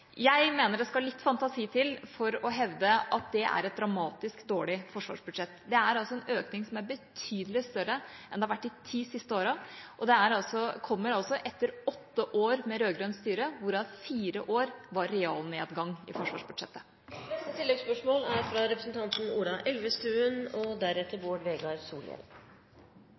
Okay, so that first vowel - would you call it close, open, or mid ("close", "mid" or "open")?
open